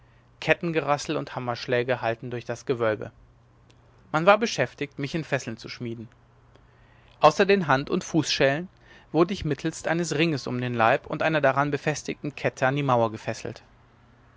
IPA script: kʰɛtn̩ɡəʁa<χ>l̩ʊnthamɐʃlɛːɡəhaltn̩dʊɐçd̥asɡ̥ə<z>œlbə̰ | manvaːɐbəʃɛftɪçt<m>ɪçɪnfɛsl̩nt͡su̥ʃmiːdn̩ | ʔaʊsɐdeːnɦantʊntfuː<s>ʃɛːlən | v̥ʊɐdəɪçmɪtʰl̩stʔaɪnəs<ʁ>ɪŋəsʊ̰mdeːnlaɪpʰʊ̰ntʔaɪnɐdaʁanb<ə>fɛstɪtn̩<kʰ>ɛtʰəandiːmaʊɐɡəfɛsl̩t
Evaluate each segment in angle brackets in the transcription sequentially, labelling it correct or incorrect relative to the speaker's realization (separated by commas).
incorrect, incorrect, correct, correct, correct, correct, correct